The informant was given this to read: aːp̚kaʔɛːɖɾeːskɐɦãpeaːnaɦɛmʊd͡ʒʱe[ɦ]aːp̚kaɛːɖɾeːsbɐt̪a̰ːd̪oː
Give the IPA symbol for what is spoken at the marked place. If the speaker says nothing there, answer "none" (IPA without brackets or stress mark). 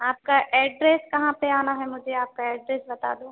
none